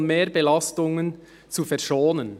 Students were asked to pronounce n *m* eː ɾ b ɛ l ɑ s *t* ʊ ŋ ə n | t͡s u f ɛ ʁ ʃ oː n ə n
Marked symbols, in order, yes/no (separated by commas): yes, yes